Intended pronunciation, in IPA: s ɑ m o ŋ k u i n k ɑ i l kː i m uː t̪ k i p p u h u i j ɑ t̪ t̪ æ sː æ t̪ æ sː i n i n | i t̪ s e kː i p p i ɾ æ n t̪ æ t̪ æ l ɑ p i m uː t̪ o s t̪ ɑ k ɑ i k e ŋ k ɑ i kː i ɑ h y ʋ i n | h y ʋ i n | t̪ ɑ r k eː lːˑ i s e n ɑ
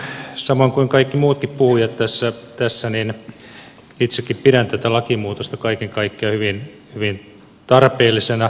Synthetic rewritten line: s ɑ m o ŋ k u i ŋ k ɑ i kː i m uː t̪ k i p p u h u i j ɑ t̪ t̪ æ sː æ t̪ æ sː æ n i n | i t̪ s e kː i p p i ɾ æ n t̪ æ t̪ æ l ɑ k i m uː t̪ o s t̪ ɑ k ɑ i k e ŋ k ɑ i kː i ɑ h y ʋ i n | h y ʋ i n | t̪ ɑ r p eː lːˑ i s e n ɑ